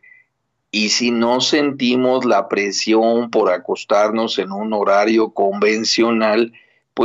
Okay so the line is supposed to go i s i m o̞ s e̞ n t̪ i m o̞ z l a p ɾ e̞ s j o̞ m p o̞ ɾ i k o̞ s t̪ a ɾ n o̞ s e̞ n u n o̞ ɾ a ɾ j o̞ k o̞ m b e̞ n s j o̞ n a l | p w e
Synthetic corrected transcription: i s i n o̞ s e̞ n t̪ i m o̞ z l a p ɾ e̞ s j o̞ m p o̞ ɾ a k o̞ s t̪ a ɾ n o̞ s e̞ n u n o̞ ɾ a ɾ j o̞ k o̞ m b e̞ n s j o̞ n a l | p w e